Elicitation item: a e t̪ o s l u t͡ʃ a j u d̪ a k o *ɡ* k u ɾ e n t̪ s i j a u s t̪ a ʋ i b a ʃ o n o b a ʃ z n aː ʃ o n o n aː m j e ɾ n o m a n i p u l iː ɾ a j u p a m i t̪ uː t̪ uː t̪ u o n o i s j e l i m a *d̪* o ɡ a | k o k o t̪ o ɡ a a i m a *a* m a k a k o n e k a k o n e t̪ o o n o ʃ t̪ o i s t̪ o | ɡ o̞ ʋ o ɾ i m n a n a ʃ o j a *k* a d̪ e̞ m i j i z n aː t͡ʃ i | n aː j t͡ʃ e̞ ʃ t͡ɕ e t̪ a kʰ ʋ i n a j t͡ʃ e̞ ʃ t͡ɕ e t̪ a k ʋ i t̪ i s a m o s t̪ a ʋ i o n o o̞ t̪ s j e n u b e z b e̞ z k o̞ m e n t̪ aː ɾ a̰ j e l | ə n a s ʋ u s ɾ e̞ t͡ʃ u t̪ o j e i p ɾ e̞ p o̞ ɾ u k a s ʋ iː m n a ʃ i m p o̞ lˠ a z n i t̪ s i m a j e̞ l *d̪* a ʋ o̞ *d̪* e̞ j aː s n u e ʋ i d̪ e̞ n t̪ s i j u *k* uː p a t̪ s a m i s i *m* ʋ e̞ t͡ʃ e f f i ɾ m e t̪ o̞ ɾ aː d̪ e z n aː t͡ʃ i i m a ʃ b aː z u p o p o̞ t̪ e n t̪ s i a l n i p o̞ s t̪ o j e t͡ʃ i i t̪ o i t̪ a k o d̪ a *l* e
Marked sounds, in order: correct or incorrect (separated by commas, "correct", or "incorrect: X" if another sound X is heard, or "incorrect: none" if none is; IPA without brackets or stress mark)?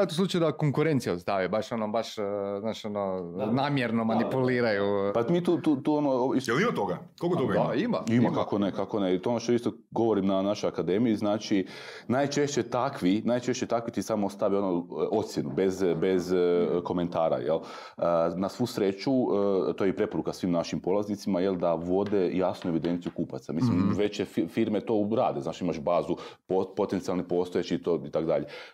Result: incorrect: ŋ, incorrect: t̪, incorrect: i, correct, correct, correct, correct, correct, incorrect: ʎ